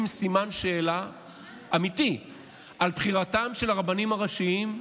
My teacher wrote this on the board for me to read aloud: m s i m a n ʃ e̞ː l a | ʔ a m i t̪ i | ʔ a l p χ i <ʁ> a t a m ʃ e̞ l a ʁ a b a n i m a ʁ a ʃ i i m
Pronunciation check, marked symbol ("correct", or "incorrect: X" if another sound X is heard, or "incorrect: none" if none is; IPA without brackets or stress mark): correct